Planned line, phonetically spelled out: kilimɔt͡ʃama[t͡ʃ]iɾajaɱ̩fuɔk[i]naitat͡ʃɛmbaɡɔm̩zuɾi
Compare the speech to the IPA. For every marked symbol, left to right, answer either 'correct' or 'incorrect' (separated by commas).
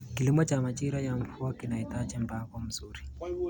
correct, correct